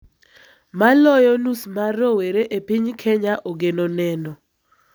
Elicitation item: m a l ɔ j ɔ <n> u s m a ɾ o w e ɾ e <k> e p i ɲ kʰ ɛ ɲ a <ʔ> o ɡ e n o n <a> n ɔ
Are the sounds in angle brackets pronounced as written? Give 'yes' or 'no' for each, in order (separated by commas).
yes, no, yes, no